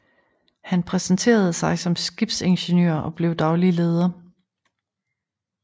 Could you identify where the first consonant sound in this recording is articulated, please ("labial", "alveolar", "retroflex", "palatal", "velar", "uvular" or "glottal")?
glottal